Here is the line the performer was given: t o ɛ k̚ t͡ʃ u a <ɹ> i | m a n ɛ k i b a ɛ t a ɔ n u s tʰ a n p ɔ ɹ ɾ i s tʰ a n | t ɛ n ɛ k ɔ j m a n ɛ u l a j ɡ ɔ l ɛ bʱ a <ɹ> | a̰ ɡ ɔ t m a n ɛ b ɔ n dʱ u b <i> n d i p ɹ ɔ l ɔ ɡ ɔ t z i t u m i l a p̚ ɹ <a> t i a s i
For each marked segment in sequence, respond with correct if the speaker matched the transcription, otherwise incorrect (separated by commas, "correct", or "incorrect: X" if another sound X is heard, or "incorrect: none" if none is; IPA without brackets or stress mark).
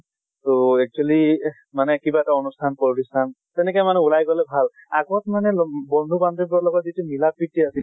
incorrect: l, incorrect: l, incorrect: a, incorrect: i